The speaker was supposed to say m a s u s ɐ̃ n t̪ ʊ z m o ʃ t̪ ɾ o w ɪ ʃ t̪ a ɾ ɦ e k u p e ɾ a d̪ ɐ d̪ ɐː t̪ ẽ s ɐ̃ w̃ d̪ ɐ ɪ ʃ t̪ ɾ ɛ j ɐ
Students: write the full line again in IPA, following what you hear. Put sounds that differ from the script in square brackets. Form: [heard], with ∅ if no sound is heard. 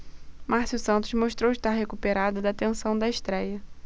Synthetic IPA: m a s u s ɐ̃ n t̪ ʊ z m o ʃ t̪ ɾ o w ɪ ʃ t̪ a ɾ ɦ e k u p e ɾ a d̪ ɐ d̪ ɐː t̪ ẽ s ɐ̃ w̃ d̪ ɐ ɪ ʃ t̪ ɾ ɛ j ɐ